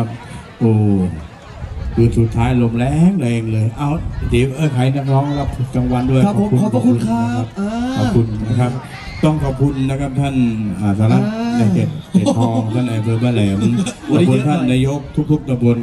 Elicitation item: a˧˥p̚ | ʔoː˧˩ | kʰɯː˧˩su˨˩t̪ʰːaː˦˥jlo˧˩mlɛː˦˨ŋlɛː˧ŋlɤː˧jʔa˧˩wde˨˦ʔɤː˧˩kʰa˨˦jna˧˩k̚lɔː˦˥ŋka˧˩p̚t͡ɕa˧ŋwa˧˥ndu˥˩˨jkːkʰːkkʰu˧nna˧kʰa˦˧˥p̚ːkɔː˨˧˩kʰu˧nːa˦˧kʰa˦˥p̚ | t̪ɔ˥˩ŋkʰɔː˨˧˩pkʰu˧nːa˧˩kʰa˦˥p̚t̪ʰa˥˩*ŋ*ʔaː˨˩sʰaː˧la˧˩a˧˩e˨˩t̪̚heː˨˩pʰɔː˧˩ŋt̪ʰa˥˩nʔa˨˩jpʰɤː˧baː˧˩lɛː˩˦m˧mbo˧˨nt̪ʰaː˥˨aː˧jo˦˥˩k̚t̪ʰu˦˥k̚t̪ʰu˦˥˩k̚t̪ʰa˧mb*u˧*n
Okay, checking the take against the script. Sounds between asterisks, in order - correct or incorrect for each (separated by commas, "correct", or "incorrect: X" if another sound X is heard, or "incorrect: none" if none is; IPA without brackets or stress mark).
incorrect: n, incorrect: o˧